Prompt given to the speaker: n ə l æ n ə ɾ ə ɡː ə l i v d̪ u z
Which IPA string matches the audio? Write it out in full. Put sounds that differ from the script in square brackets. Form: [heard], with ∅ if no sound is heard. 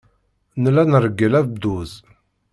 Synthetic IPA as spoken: n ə l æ n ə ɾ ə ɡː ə l [æ] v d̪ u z